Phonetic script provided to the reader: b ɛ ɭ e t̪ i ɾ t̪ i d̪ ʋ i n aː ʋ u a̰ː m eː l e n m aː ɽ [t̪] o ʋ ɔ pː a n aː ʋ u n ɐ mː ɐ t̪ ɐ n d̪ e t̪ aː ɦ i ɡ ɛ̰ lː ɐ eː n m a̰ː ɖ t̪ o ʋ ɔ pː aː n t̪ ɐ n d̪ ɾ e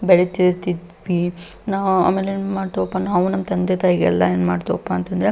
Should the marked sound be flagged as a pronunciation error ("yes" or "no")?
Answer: no